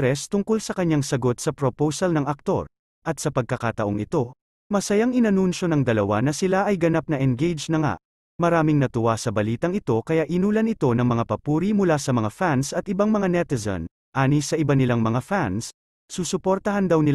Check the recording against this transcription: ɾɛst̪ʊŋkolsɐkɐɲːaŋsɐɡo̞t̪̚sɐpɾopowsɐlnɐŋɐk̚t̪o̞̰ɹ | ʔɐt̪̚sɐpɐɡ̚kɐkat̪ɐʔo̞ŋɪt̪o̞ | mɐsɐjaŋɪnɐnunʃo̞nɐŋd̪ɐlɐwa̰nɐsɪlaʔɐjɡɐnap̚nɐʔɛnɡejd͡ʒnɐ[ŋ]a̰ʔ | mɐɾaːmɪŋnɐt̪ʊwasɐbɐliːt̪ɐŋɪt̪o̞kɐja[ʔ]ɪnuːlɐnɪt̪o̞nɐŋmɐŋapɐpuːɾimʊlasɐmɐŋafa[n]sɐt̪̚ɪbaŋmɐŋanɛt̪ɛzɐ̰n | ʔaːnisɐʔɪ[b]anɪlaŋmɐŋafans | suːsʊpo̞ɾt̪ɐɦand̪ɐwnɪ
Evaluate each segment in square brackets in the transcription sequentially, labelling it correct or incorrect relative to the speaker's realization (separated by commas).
correct, correct, correct, correct